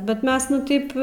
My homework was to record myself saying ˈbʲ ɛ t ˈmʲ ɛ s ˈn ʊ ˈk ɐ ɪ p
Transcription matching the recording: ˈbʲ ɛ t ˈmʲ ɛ s ˈn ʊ ˈt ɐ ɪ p